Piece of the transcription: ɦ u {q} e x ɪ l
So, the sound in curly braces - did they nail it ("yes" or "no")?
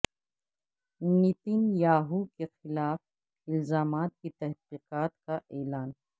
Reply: no